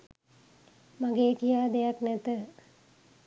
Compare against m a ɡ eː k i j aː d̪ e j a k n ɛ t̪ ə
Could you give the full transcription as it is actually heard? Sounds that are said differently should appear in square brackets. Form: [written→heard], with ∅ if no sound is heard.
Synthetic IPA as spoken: m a ɡ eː k i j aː d̪ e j a k n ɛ t̪ ə